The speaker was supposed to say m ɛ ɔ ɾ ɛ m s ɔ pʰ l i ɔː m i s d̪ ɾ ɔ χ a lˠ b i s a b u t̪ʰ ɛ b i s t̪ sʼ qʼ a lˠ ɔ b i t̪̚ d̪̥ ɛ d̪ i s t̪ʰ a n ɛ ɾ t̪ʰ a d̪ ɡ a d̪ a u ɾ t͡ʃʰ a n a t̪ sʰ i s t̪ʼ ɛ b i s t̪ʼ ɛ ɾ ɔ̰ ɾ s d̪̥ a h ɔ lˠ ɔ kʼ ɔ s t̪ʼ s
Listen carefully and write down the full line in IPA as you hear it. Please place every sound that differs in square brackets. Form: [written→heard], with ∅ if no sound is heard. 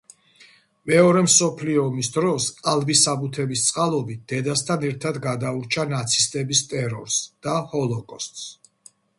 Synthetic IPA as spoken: m ɛ ɔ ɾ ɛ m s ɔ pʰ l i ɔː m i s d̪ ɾ ɔ [χ→s] a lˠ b i s a b u t̪ʰ ɛ b i s t̪ sʼ qʼ a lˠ ɔ b i t̪̚ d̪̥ ɛ d̪ [i→a] s t̪ʰ a n ɛ ɾ t̪ʰ a d̪ ɡ a d̪ a u ɾ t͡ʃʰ a n a t̪ sʰ i s t̪ʼ ɛ b i s t̪ʼ ɛ ɾ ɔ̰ ɾ s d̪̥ a h ɔ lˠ ɔ kʼ ɔ s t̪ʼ s